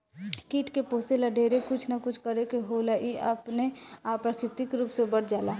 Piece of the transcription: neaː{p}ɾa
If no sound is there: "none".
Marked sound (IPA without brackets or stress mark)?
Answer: p